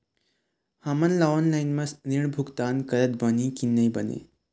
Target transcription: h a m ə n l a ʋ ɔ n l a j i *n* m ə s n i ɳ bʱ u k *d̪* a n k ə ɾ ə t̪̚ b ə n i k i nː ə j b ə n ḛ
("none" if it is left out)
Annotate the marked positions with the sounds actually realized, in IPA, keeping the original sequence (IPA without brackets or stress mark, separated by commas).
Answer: n, t̪